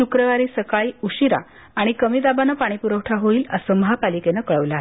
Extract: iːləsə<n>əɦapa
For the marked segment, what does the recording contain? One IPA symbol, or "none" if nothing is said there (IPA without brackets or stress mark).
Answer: m